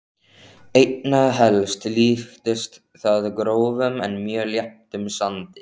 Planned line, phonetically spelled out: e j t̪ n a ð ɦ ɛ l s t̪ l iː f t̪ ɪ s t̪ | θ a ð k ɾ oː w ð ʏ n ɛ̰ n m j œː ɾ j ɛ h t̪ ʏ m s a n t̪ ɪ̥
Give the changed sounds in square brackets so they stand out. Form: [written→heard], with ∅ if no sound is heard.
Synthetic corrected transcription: e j t̪ n a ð ɦ ɛ l s t̪ l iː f t̪ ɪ s t̪ | θ a ð k ɾ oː w [ð→v] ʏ [n→m] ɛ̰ n m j œː [ɾ→l] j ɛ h t̪ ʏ m s a n t̪ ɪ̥